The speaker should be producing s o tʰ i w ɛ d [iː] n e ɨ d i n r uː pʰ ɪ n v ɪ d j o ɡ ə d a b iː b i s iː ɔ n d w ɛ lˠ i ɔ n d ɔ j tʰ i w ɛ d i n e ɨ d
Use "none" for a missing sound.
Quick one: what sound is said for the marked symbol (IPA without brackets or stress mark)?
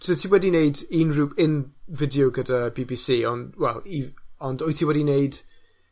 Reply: i